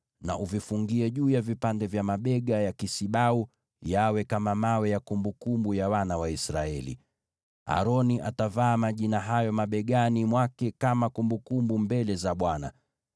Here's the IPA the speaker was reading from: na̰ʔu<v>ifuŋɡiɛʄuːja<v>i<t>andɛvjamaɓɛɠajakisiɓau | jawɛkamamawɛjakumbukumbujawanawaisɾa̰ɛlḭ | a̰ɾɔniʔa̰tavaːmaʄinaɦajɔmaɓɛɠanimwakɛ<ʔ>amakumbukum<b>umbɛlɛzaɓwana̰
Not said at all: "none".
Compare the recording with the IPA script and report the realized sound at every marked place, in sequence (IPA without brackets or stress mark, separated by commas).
v, v, p, k, b